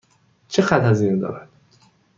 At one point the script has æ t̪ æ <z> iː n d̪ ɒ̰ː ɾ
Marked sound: correct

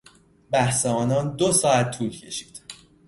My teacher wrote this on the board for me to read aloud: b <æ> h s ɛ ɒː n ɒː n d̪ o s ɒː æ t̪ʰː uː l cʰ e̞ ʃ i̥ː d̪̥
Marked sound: correct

